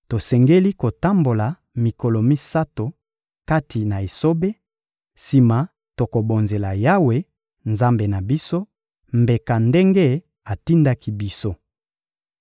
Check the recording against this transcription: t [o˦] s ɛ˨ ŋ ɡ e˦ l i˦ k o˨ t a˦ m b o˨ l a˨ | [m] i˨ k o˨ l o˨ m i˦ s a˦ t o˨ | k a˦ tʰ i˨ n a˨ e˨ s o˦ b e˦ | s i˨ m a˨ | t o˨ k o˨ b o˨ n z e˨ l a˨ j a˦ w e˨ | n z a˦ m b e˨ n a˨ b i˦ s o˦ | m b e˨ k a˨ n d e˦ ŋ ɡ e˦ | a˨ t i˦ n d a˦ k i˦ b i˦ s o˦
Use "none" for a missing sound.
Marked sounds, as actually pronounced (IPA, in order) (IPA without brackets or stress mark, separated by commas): o˨, m